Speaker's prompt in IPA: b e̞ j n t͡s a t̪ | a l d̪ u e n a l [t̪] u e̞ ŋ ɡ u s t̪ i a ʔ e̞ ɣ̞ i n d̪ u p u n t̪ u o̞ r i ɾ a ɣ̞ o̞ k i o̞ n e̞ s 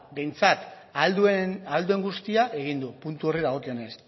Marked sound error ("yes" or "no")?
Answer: yes